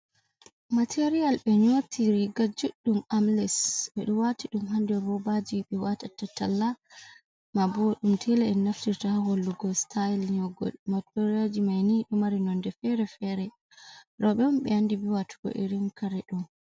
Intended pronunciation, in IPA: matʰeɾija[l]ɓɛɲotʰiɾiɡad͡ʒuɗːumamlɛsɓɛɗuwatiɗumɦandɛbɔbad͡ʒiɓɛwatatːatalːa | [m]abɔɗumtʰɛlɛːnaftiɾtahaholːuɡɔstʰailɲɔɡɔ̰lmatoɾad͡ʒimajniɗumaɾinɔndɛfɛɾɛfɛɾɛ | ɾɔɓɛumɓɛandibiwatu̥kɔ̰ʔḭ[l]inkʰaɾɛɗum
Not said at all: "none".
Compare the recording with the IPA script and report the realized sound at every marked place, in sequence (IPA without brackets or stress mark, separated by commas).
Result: l, m, ɾ